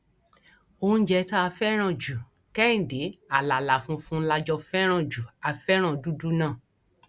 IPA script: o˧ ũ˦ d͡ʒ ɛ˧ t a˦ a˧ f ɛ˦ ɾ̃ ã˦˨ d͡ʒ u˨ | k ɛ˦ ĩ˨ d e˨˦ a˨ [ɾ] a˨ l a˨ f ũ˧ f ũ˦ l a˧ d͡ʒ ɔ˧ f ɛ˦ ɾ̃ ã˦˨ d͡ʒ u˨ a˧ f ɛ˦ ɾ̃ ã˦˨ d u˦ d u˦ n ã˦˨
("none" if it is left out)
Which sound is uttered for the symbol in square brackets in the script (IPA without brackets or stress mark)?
l